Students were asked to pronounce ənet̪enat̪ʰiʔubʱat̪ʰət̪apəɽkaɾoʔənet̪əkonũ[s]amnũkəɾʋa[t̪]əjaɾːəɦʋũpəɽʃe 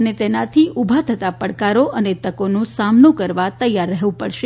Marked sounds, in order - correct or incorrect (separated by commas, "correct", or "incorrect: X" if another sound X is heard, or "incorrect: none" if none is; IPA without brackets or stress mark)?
correct, correct